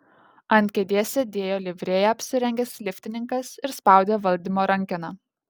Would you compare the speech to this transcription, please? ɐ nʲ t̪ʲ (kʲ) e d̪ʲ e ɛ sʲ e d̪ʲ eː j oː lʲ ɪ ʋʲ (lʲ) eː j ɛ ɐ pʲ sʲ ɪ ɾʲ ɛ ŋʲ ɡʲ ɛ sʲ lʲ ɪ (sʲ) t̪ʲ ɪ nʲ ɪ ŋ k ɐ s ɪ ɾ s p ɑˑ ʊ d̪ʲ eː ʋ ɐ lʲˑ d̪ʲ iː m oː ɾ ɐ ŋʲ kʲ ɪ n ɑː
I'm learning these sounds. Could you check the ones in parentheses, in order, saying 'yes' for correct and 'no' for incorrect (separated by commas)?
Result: yes, no, no